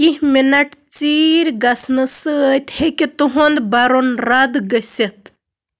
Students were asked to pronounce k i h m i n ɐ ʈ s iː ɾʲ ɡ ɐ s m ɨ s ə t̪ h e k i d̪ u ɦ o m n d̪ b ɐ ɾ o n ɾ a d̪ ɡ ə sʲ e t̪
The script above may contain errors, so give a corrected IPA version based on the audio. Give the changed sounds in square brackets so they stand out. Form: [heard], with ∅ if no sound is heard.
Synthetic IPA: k i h m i n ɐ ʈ [t͡s] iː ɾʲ ɡ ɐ s [n] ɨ s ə t̪ h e k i [t̪] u ɦ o [∅] n d̪ b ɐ ɾ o n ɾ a d̪ ɡ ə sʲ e t̪